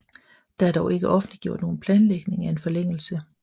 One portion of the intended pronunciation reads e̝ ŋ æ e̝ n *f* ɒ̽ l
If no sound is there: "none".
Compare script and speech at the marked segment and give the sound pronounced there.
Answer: f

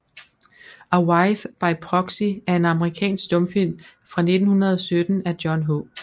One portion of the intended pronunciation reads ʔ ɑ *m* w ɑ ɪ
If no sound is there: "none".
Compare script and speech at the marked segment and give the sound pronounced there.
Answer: none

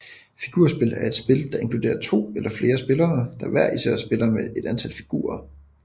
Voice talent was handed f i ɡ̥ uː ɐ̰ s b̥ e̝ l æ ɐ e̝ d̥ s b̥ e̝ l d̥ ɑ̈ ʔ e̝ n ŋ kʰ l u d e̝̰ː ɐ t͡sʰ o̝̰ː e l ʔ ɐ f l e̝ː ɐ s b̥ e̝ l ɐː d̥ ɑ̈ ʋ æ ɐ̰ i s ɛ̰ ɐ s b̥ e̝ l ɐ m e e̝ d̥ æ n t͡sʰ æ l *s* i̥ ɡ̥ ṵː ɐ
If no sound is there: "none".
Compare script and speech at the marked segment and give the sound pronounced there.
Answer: f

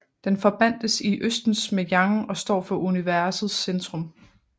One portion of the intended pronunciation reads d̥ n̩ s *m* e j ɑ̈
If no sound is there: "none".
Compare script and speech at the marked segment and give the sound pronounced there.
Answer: m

